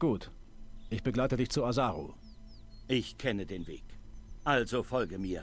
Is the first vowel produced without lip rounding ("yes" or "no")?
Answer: no